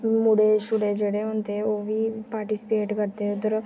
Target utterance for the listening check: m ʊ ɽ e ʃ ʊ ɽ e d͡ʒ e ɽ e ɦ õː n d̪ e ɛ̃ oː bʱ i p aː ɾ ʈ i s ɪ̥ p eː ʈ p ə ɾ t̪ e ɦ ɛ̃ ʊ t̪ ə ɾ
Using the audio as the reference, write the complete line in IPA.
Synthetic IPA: m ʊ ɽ e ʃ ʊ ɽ e d͡ʒ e ɽ e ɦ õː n t̪ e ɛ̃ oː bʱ i p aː ɾ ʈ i s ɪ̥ p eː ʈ k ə ɾ t̪ e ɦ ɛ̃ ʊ t̪ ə ɾ